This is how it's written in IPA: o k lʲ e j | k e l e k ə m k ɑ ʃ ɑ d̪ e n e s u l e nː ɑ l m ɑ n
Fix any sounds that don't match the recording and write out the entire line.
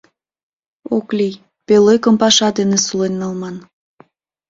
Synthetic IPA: o k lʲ i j | p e l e k ə m p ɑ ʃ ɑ d̪ e n e s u l e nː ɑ l m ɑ n